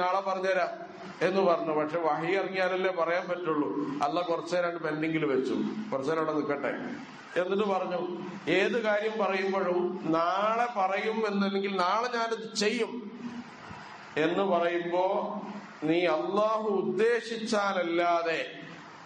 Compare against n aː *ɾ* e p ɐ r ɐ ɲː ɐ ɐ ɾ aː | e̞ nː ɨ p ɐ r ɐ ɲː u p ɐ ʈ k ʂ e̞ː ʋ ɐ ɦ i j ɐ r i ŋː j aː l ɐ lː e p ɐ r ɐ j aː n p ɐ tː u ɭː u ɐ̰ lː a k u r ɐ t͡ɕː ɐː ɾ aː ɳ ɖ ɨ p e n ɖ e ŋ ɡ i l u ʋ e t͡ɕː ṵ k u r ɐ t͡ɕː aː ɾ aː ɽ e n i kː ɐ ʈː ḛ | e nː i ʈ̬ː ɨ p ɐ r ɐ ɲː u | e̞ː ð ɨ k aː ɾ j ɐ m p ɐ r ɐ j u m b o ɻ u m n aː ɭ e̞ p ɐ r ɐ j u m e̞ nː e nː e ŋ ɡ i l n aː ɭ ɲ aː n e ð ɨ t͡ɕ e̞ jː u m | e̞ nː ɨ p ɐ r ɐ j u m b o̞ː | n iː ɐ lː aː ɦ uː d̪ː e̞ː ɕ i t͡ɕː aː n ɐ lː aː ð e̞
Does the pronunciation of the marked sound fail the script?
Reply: yes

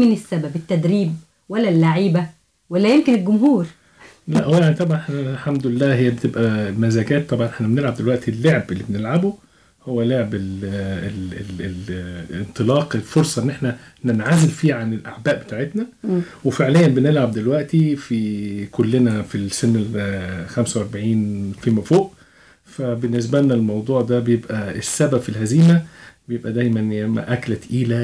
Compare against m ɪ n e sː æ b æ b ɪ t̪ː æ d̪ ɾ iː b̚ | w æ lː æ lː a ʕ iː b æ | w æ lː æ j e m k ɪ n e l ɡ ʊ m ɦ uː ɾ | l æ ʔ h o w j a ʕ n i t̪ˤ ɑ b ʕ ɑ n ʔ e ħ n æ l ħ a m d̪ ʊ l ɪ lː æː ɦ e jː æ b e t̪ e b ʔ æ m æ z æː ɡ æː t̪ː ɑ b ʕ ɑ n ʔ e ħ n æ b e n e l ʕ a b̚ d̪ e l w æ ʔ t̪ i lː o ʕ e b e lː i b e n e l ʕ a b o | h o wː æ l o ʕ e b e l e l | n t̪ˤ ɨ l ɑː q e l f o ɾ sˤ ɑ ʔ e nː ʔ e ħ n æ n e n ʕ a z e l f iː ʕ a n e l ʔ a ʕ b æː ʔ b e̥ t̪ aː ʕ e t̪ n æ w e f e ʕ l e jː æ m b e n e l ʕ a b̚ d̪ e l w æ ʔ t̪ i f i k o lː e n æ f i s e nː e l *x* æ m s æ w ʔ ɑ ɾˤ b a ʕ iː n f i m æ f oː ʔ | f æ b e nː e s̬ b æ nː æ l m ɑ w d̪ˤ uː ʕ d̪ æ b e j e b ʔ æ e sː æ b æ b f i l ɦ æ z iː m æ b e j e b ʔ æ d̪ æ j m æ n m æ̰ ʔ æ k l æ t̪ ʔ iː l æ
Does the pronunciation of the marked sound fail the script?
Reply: no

